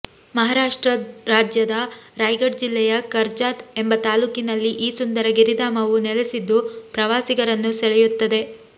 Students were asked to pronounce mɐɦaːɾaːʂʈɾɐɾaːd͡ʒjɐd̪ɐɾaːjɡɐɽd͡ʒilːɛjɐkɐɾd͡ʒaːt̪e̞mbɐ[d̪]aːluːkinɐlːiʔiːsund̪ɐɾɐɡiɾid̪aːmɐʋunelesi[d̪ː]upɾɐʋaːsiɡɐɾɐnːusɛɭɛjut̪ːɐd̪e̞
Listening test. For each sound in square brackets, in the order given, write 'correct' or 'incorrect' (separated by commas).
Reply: incorrect, correct